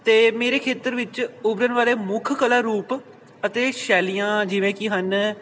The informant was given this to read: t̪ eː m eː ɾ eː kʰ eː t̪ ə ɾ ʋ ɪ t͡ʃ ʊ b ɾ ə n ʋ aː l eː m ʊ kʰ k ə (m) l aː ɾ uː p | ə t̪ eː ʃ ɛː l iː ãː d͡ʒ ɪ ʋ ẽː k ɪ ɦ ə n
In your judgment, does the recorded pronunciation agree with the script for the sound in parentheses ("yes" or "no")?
no